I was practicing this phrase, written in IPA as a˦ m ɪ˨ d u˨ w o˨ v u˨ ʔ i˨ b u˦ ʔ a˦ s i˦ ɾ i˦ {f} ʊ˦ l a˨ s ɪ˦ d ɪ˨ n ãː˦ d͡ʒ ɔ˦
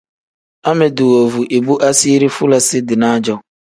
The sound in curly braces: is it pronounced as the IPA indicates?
yes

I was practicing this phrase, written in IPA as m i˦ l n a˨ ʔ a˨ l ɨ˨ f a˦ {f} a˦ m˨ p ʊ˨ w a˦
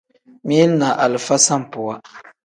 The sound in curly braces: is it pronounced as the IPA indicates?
no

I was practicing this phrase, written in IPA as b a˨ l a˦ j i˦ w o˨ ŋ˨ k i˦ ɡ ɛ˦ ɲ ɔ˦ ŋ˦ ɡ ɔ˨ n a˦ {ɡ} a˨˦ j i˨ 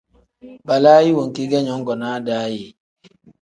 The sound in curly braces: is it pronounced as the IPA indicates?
no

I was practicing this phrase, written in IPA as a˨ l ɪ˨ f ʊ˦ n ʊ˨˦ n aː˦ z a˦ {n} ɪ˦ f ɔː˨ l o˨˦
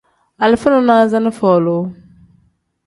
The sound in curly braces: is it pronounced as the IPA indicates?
yes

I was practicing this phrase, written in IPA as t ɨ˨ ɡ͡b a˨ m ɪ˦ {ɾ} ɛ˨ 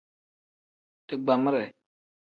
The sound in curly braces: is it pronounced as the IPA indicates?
yes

